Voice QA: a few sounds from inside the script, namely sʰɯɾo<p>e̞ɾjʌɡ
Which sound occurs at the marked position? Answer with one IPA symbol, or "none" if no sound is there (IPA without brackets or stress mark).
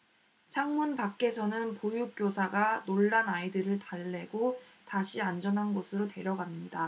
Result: t